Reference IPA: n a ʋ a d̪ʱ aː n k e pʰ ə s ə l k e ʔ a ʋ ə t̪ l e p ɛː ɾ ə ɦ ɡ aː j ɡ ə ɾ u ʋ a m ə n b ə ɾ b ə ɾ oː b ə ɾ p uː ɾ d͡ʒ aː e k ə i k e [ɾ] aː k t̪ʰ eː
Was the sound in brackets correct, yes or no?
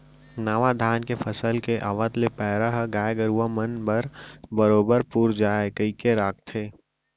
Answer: yes